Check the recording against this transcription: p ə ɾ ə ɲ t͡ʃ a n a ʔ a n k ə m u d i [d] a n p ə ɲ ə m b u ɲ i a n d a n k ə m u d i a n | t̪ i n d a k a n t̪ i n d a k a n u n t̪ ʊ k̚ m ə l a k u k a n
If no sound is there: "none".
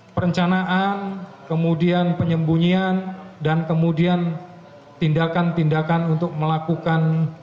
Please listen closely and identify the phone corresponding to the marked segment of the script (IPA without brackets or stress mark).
none